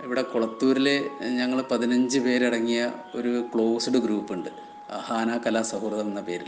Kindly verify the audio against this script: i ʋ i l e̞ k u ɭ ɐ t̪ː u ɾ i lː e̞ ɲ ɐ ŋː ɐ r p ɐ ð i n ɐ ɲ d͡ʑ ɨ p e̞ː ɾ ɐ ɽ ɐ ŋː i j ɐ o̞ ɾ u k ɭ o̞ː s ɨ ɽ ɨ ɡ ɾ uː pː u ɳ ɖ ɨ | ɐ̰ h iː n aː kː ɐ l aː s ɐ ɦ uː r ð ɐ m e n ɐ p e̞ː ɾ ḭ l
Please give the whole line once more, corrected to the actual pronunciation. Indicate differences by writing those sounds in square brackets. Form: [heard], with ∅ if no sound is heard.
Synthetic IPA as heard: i ʋ i [ɽ] e̞ k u ɭ ɐ t̪ː [uː] ɾ i [l] e̞ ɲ ɐ ŋː ɐ [ɭ] p ɐ ð i n ɐ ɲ d͡ʑ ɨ p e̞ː ɾ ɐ ɽ ɐ ŋː i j ɐ o̞ ɾ u k ɭ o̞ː s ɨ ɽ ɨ ɡ ɾ uː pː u ɳ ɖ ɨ | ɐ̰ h [aː] n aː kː ɐ l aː s ɐ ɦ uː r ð ɐ m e [nː] ɐ p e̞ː ɾ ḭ l